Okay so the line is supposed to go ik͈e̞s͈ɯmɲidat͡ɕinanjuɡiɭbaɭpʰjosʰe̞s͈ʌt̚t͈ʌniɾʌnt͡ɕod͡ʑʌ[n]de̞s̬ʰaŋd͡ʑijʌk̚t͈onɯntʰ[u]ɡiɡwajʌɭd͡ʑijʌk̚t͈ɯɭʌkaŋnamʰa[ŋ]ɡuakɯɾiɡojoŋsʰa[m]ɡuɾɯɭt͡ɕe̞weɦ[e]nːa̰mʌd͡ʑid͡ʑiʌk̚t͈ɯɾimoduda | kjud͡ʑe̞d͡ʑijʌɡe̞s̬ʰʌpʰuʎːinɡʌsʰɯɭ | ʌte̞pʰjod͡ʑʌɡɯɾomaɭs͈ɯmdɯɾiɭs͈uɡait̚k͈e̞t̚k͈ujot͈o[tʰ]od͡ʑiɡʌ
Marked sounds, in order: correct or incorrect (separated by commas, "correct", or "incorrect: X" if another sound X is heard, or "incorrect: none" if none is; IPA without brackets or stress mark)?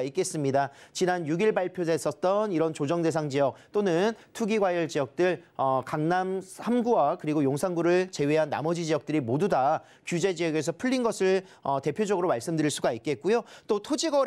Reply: incorrect: ŋ, correct, incorrect: m, incorrect: ŋ, incorrect: a, correct